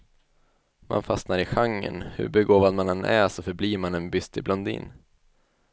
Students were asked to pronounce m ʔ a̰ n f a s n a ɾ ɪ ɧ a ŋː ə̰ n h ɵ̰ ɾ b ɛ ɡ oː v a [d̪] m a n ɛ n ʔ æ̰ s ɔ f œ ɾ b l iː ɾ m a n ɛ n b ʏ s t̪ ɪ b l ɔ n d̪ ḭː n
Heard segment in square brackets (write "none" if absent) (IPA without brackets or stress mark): d̪